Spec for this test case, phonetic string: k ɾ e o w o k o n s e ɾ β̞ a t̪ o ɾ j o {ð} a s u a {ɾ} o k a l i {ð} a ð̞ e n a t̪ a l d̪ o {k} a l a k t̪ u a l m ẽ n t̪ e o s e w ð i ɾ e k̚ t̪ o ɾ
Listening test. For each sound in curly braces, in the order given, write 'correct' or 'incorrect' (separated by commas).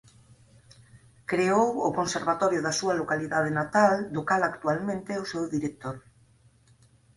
correct, incorrect, correct, correct